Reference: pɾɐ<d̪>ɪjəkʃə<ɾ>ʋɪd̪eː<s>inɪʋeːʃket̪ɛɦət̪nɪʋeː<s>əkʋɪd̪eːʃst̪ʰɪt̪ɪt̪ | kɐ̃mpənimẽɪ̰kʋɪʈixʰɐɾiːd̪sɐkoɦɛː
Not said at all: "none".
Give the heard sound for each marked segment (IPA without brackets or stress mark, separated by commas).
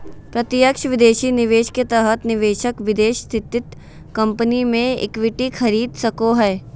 t̪, none, ʃ, ʃ